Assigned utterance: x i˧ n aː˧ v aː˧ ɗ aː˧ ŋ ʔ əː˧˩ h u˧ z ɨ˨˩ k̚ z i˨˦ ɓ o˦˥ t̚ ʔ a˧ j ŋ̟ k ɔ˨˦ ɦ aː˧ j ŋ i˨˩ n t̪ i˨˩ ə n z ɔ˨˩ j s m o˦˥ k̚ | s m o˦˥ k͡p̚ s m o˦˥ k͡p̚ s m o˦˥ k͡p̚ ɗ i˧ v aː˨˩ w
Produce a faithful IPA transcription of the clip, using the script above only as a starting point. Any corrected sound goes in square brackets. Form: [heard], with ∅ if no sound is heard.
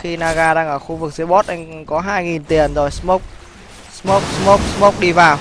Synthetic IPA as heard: x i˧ n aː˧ [ɣ] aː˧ ɗ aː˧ ŋ ʔ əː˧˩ [x] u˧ [v] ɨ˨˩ k̚ z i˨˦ ɓ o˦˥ t̚ ʔ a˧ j ŋ̟ k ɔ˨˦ ɦ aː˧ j ŋ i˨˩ n t̪ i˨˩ ə n z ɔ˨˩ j s m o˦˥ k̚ | s m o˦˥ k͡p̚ s m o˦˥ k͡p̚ s m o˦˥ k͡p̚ ɗ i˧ v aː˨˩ w